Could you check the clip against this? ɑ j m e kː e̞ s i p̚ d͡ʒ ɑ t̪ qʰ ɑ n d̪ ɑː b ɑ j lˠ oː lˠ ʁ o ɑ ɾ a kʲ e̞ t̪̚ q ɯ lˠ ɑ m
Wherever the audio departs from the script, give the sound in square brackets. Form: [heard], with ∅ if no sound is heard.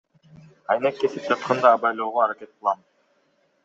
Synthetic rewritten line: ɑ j [n] e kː e̞ s i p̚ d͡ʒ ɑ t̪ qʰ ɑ n d̪ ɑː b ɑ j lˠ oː [∅] ʁ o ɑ ɾ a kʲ e̞ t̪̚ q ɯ lˠ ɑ m